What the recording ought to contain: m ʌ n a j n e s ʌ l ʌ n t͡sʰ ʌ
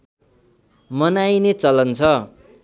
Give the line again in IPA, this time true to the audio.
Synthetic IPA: m ʌ n a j n e t͡s ʌ l ʌ n t͡sʰ ʌ